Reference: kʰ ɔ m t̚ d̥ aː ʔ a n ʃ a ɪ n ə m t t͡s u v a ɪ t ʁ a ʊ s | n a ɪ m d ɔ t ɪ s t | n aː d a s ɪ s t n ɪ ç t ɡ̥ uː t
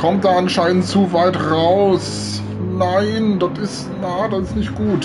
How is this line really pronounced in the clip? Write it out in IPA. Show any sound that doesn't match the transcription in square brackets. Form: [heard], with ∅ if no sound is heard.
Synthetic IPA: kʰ ɔ m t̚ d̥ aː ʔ a n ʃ a ɪ n ə [n] t t͡s u v a ɪ t ʁ a ʊ s | n a ɪ [n] d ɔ t ɪ s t | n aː d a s ɪ s t n ɪ ç t ɡ̥ uː t